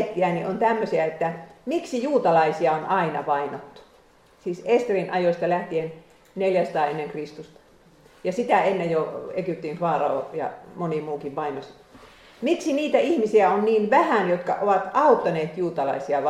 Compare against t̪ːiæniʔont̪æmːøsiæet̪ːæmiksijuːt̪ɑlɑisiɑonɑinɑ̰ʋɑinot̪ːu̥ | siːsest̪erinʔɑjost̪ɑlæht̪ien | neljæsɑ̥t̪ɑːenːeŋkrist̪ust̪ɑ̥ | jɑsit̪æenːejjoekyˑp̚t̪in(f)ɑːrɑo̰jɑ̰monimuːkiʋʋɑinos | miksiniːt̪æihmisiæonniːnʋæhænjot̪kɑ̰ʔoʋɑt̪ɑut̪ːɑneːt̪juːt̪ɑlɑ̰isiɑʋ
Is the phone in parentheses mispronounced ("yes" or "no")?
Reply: no